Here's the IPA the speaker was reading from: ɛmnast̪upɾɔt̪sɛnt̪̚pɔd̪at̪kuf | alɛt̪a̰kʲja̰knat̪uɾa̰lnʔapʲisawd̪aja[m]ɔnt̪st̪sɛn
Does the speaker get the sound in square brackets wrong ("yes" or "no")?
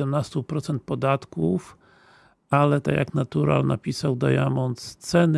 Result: no